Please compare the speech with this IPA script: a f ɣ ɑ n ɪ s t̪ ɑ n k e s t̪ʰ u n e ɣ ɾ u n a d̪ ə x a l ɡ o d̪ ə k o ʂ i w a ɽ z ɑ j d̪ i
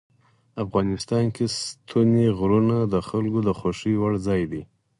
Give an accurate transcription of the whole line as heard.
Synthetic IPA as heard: a f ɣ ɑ n ɪ s t̪ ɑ n k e s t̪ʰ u n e ɣ ɾ u n a d̪ ə x a l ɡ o d̪ ə x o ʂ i w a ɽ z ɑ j d̪ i